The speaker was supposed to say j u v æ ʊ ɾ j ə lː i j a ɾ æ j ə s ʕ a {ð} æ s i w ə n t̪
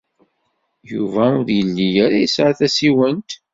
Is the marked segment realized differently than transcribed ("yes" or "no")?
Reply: yes